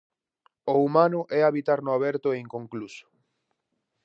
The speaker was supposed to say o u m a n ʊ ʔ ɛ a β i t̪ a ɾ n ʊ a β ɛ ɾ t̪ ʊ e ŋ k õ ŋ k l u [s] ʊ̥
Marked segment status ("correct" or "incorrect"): correct